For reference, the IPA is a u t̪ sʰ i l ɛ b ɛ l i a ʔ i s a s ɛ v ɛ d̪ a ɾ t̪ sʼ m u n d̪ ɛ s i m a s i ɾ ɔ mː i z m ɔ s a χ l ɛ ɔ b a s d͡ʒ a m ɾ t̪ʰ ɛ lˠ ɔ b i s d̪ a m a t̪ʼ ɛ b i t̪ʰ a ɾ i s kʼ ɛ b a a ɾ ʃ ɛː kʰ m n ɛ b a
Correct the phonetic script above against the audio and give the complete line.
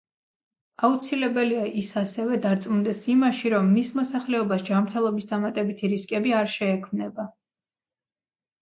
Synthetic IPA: a u t̪ sʰ i l ɛ b ɛ l i a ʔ i s a s ɛ v ɛ d̪ a ɾ t̪ sʼ m u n d̪ ɛ s i m a ʃ i ɾ ɔ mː i s m ɔ s a χ l ɛ ɔ b a s d͡ʒ a m ɾ t̪ʰ ɛ lˠ ɔ b i s d̪ a m a t̪ʼ ɛ b i t̪ʰ i ɾ i s kʼ ɛ b i a ɾ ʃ ɛː kʰ m n ɛ b a